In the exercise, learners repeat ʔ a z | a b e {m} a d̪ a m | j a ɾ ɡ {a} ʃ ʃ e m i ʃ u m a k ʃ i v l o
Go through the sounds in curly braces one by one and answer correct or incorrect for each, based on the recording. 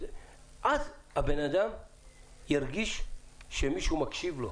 incorrect: n, incorrect: i

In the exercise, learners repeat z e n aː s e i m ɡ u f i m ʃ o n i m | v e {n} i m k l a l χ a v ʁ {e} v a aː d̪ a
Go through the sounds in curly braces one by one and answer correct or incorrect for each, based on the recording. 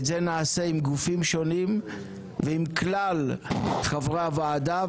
incorrect: none, incorrect: a

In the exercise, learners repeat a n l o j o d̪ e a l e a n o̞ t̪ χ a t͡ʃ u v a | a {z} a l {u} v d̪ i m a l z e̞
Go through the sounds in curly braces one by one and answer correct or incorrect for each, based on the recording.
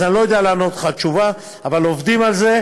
incorrect: v, incorrect: o

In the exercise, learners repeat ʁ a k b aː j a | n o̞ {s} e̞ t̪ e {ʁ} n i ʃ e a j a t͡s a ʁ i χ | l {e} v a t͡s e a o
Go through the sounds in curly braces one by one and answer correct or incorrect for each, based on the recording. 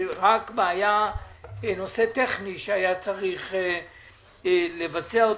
correct, incorrect: χ, correct

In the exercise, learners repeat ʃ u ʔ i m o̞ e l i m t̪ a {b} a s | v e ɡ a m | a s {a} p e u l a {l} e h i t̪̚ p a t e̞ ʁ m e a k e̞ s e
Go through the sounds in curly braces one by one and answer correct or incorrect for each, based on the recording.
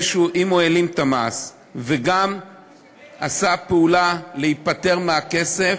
incorrect: m, correct, correct

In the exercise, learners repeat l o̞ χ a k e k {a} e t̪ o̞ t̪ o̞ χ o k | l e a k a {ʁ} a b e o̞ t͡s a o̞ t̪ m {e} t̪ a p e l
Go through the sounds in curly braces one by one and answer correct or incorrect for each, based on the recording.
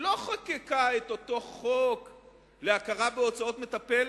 correct, correct, correct

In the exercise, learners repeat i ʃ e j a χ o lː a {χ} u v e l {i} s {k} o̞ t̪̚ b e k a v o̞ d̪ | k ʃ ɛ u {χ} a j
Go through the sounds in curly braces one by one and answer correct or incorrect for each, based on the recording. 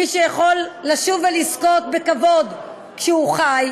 incorrect: ʃ, correct, correct, correct

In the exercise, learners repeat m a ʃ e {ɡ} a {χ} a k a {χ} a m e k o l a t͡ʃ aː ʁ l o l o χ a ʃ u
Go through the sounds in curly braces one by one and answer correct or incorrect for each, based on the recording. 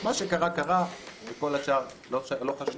incorrect: k, incorrect: ʁ, incorrect: ʁ

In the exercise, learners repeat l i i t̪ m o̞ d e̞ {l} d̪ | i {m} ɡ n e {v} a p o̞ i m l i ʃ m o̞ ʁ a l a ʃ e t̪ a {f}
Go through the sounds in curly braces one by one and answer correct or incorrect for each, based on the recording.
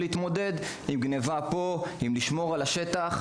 incorrect: none, correct, correct, incorrect: χ

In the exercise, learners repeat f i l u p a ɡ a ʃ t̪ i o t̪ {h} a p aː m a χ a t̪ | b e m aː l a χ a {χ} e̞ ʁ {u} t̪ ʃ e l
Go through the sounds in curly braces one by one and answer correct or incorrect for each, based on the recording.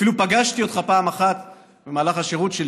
incorrect: χ, incorrect: ʃ, correct

